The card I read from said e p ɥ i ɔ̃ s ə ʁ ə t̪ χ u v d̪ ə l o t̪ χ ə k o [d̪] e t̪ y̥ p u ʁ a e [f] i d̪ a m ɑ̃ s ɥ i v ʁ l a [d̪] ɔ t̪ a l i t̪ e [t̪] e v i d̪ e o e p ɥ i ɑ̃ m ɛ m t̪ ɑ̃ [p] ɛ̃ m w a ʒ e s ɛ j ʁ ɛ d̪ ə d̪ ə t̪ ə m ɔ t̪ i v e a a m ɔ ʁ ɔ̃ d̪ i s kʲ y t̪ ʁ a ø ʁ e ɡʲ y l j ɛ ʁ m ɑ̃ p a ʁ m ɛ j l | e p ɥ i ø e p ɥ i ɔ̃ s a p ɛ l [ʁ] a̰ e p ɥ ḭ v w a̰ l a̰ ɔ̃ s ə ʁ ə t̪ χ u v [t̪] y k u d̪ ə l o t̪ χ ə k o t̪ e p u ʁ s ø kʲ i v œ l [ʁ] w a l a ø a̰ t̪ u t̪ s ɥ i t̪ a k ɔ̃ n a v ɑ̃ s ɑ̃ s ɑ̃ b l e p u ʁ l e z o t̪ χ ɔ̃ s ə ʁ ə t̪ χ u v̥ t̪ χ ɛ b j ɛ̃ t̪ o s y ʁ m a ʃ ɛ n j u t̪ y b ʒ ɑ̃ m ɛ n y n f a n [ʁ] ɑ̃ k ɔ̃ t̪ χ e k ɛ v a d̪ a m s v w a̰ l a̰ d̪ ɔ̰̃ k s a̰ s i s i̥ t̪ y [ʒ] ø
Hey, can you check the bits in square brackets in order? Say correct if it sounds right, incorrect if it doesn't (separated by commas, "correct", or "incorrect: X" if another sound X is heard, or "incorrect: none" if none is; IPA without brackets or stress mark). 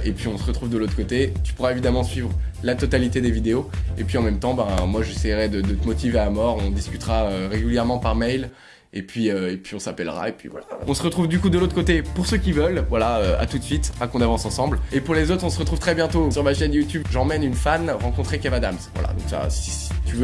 incorrect: t̪, incorrect: v, incorrect: t̪, incorrect: d̪, incorrect: b, correct, incorrect: d̪, incorrect: v, correct, incorrect: v